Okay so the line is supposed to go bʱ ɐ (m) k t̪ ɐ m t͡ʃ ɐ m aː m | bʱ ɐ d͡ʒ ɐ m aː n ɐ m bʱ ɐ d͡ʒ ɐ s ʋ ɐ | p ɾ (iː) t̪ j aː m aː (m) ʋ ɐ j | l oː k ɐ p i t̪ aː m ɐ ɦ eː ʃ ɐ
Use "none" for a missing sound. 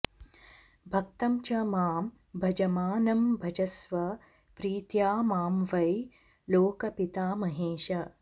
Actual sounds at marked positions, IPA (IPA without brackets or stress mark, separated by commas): none, iː, m